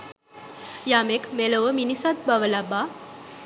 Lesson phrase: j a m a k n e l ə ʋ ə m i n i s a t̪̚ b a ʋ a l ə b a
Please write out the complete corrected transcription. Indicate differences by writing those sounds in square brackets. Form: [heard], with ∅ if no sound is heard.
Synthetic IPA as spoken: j a m [e] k [m] e l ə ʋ ə m i n i s a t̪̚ b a ʋ [ə] l [a] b a